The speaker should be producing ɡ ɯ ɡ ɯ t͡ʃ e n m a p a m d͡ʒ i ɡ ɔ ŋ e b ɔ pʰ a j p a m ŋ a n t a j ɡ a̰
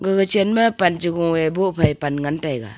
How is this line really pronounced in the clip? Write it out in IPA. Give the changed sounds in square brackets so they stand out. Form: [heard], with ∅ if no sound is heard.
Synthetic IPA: ɡ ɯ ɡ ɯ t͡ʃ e n m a p a [n] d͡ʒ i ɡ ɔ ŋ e b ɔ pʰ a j p a [n] ŋ a n t a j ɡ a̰